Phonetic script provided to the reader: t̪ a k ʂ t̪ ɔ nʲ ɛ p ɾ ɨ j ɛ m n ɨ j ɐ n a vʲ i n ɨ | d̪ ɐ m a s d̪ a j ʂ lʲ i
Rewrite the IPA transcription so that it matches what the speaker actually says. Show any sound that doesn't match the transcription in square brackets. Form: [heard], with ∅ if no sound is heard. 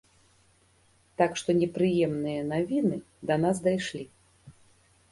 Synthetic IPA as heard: t̪ a k ʂ t̪ ɔ nʲ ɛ p ɾ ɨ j ɛ m n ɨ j ɐ n a vʲ i n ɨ | d̪ ɐ [n] a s d̪ a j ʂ lʲ i